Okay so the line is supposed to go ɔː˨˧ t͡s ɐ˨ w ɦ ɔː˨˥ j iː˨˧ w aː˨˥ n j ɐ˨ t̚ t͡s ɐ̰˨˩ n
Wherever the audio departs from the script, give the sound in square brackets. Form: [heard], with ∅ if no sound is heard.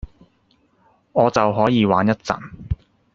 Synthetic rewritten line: ɔː˨˧ t͡s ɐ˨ w ɦ ɔː˨˥ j iː˨˧ w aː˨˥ n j [ɐ˥] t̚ t͡s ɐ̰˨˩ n